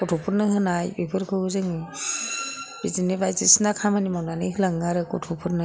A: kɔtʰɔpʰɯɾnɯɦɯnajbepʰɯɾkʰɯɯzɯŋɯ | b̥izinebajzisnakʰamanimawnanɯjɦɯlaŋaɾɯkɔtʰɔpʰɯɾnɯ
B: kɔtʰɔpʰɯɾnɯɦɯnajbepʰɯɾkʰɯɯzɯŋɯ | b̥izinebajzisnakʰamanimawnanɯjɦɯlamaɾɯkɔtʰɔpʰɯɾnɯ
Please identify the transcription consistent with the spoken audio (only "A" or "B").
A